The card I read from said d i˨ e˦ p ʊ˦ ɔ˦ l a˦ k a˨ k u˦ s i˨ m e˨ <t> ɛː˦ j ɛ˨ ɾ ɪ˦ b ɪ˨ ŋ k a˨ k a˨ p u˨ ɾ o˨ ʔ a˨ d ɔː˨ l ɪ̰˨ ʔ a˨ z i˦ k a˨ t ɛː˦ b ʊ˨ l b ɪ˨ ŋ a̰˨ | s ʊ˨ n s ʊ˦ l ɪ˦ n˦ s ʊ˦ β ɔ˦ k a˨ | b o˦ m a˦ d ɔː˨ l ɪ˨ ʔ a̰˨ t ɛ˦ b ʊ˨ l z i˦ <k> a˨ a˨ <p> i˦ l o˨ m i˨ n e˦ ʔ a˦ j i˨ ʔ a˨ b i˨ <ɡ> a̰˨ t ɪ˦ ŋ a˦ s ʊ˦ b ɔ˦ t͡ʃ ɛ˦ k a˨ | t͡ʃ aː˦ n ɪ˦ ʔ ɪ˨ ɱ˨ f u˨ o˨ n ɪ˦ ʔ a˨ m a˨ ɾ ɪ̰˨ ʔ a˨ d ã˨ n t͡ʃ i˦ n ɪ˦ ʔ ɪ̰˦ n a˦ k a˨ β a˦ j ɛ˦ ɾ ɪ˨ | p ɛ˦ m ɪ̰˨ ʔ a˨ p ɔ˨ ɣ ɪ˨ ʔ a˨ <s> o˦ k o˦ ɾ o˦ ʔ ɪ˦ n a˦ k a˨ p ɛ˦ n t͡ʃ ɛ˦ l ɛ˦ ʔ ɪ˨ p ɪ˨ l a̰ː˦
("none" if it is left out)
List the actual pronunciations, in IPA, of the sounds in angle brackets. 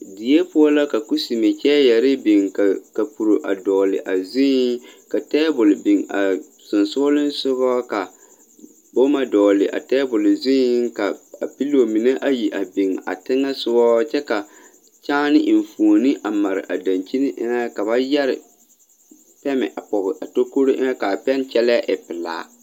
t͡ʃ, k, p, ŋ, t

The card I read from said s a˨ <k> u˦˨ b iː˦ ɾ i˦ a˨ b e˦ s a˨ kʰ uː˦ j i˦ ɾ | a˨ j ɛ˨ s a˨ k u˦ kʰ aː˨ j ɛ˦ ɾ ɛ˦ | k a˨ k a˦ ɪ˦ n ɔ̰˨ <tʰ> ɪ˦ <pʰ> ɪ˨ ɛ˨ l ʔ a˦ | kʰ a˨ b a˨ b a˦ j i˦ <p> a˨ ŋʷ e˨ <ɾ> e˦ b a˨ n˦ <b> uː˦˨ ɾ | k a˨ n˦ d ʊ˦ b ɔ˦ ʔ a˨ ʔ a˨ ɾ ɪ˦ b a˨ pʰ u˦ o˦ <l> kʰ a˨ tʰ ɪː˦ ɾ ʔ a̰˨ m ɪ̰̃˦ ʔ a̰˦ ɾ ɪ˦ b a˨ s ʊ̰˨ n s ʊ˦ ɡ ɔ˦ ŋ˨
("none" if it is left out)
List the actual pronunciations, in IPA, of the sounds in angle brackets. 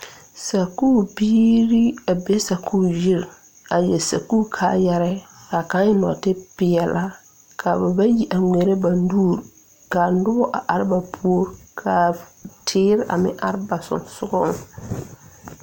k, t, p, ʔ, ɾ, d, ɾ

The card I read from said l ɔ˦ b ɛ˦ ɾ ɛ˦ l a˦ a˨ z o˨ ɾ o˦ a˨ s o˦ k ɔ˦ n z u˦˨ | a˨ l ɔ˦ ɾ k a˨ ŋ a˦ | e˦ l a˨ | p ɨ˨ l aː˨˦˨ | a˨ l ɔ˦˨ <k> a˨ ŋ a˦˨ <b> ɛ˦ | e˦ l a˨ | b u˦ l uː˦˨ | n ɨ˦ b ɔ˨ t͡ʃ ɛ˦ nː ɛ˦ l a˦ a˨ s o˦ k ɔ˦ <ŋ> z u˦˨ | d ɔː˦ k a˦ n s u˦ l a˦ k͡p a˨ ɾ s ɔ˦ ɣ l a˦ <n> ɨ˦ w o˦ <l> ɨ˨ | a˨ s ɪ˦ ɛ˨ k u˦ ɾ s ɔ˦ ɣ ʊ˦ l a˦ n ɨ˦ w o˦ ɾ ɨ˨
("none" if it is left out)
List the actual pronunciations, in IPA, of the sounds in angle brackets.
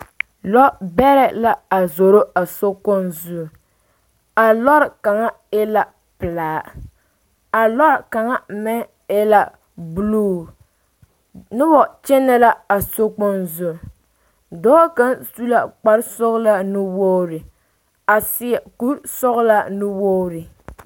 k, m, n, n, ɾ

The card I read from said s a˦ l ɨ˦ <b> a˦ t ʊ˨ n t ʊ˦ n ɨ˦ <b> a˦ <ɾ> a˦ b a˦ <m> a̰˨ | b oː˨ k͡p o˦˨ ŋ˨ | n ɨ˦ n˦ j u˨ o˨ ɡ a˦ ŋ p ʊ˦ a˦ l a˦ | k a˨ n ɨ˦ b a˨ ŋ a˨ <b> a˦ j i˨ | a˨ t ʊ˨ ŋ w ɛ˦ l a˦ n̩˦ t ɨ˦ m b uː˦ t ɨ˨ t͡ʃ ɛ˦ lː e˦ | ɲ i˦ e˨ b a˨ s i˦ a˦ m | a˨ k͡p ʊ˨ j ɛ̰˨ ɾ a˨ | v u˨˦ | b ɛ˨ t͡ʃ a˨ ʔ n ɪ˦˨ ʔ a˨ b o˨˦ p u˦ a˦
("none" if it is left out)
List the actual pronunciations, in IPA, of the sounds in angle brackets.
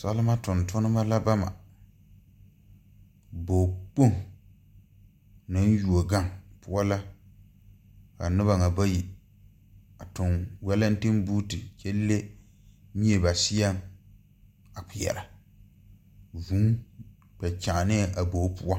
m, m, l, m, b

